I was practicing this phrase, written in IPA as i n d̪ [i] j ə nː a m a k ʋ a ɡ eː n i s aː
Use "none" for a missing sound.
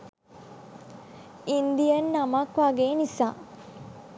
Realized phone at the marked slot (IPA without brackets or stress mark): i